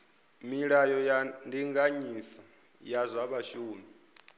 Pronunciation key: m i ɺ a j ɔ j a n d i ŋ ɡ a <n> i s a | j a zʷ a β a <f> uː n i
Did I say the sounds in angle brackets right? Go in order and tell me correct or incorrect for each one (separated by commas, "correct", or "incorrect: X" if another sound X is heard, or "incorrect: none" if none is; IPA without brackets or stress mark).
incorrect: ɲ, incorrect: ʃ